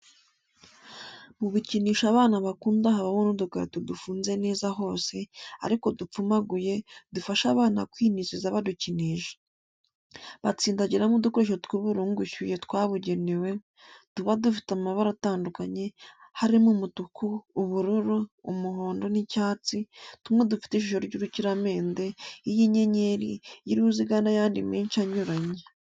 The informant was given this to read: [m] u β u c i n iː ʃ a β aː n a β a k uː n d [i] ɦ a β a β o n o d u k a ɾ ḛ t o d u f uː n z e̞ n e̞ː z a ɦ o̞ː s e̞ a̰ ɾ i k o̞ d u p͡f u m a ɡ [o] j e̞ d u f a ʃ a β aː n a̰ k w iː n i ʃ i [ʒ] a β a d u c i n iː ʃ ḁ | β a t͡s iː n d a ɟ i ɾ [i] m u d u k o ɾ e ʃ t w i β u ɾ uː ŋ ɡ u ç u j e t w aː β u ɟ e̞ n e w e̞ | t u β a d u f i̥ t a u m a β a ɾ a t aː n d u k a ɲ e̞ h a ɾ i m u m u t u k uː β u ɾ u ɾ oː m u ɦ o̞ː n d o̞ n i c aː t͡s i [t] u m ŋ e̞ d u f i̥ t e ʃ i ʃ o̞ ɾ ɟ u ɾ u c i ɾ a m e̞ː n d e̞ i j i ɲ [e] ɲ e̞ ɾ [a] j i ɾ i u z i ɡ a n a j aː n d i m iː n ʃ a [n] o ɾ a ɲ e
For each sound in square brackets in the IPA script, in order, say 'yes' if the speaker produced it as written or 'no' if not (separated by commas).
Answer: yes, no, no, no, no, yes, yes, no, no